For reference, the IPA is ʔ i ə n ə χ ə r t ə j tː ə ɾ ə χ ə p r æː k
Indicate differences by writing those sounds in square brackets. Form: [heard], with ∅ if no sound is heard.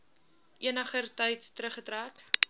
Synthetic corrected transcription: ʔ i ə n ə χ ə r t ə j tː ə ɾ ə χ ə [t] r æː k